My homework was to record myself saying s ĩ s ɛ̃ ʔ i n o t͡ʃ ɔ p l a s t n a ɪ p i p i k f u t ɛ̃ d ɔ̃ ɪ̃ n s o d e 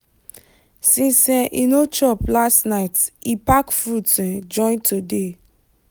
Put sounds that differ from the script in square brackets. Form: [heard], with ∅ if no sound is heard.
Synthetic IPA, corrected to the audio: s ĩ s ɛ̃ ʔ i n o t͡ʃ ɔ p l a s t n a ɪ [t] i p [a] k f u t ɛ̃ [d͡ʒ] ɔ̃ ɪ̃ n [t] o d e